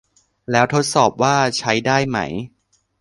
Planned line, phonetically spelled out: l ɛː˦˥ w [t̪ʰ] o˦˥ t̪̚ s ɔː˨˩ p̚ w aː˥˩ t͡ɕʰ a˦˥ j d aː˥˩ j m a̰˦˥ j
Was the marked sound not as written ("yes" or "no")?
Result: no